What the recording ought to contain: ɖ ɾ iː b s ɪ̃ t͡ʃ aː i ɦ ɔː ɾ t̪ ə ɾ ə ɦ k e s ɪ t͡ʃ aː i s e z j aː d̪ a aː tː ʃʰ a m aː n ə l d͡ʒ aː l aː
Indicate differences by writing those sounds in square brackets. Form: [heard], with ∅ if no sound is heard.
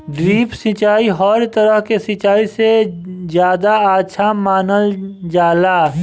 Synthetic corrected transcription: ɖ ɾ iː [p] s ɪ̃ t͡ʃ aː i ɦ ɔː ɾ t̪ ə ɾ ə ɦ k e s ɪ t͡ʃ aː i s e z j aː d̪ a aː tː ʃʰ a m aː n ə l d͡ʒ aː l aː